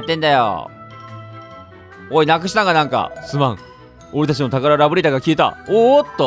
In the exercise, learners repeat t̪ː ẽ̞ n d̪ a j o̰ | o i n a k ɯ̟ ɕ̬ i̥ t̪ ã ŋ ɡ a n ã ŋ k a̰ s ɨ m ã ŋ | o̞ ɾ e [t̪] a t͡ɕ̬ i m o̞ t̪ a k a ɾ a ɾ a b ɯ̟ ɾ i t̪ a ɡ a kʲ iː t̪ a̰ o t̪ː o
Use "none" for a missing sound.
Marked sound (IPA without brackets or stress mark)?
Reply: t̪